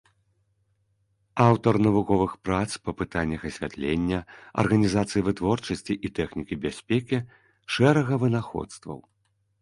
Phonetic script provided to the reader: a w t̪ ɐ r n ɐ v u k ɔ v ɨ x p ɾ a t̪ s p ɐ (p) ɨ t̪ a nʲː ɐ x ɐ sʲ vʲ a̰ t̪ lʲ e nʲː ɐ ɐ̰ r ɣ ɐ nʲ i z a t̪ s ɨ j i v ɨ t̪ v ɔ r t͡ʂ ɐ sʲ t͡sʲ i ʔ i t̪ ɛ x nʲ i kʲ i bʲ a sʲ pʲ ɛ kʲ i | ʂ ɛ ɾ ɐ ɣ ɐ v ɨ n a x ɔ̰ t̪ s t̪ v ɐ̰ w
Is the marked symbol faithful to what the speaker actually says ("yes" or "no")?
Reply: yes